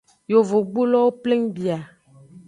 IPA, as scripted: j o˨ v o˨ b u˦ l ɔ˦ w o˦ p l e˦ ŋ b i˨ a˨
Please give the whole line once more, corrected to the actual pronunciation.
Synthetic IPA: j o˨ v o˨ ɡ͡b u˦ l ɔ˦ w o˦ p l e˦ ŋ b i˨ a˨